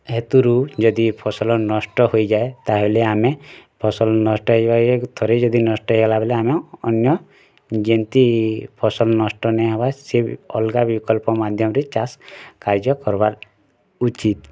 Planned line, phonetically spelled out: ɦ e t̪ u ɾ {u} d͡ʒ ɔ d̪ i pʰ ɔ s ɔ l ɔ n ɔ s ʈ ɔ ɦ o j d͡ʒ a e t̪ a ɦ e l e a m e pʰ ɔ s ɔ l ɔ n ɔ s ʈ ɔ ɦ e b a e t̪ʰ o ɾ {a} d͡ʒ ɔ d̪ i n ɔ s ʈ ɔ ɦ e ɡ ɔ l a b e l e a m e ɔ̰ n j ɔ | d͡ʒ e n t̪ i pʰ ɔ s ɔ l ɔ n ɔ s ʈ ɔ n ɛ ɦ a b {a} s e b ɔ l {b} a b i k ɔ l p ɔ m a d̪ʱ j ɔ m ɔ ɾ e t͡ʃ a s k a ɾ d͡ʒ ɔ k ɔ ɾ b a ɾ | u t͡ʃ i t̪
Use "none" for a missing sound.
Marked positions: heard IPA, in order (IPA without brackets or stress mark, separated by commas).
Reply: u, e, a, ɡ